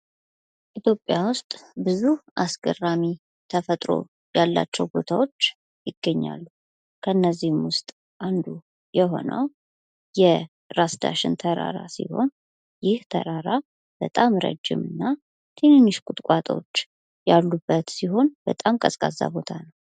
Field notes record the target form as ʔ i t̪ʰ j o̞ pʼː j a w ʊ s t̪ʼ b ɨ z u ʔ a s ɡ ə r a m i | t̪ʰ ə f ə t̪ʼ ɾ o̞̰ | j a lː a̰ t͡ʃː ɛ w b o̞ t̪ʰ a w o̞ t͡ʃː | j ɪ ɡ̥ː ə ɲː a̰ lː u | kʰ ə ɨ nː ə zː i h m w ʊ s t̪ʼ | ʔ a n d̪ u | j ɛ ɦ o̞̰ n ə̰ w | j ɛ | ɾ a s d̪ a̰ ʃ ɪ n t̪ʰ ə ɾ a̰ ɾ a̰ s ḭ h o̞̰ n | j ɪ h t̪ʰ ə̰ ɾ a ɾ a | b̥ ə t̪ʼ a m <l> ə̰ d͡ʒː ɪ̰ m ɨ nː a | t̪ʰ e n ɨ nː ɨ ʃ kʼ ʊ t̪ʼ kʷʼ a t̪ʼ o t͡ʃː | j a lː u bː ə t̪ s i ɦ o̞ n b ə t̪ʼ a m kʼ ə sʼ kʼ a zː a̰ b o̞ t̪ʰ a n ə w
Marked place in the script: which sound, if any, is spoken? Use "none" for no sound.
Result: ɾ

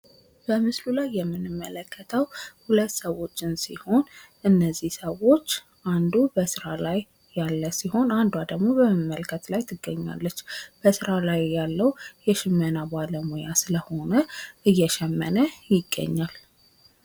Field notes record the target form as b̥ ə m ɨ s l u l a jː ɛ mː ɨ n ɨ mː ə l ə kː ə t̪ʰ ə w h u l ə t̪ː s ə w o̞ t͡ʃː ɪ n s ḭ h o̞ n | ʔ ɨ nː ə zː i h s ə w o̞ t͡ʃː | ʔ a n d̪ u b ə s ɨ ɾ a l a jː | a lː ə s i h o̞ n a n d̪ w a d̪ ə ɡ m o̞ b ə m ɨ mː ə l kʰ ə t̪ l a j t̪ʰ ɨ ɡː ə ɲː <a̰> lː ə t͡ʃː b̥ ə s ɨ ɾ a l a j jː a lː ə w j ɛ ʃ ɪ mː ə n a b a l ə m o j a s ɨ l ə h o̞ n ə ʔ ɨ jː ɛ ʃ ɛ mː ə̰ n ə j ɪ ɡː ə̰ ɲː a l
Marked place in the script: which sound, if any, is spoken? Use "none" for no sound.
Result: a̰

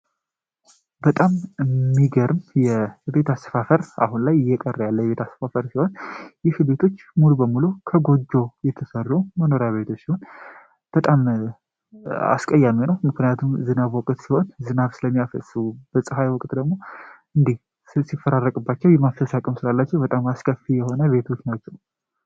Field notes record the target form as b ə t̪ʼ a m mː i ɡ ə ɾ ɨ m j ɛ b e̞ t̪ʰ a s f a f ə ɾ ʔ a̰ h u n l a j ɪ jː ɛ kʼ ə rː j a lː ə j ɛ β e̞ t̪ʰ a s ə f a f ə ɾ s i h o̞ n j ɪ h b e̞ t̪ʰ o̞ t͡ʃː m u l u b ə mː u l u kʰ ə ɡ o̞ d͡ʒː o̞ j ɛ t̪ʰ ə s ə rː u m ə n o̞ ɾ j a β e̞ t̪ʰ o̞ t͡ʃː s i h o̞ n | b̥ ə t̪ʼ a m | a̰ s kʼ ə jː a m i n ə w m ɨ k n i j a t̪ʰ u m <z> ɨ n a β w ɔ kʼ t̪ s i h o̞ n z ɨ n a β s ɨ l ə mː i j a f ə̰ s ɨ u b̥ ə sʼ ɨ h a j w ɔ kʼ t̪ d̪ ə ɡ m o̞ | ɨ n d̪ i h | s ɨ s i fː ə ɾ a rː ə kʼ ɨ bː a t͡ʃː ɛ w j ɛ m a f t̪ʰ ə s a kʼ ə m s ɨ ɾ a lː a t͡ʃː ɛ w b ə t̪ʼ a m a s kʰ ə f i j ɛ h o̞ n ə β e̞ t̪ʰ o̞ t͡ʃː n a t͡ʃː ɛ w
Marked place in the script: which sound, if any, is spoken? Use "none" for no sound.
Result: z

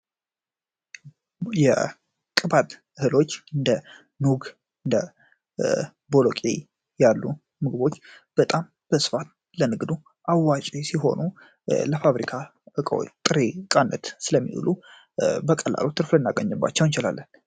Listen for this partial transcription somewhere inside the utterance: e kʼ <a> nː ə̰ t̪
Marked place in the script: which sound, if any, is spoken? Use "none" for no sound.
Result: a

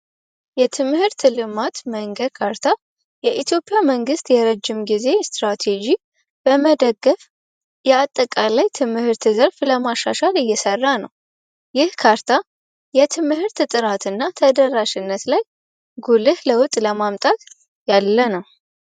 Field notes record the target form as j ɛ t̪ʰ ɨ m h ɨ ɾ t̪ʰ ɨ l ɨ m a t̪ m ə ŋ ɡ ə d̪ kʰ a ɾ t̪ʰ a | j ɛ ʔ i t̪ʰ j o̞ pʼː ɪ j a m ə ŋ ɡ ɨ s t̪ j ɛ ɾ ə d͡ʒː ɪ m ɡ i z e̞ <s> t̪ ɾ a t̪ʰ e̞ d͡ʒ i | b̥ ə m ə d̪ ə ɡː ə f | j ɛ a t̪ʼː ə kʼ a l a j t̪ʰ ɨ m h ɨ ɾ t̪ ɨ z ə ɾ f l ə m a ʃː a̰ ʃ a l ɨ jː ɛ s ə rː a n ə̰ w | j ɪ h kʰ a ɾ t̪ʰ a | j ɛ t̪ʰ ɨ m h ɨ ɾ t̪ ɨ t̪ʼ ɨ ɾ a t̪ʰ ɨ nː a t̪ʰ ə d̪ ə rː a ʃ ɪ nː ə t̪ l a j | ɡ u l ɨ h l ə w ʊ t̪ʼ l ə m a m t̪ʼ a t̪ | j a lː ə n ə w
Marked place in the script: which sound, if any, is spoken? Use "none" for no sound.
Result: s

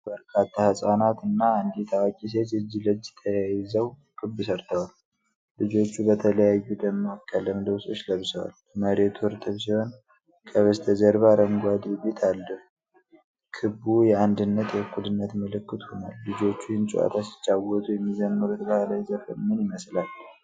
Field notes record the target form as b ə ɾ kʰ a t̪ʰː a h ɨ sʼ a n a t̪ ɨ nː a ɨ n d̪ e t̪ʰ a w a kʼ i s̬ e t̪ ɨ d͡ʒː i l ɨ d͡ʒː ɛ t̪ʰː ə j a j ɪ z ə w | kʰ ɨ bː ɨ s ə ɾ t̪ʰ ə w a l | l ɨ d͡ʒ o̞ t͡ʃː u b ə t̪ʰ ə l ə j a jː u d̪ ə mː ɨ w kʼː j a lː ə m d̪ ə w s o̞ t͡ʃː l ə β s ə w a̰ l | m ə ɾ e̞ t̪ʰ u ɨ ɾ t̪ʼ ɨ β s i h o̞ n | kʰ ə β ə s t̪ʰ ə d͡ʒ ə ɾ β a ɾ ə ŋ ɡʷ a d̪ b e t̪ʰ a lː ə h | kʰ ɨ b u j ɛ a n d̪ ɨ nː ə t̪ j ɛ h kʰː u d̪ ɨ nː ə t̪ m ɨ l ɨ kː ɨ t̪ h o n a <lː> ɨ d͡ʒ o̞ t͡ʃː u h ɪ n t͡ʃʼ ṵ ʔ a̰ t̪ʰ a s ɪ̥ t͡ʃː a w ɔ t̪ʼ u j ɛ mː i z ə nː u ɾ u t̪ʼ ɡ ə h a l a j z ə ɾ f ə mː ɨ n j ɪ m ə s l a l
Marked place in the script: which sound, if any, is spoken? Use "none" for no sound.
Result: lː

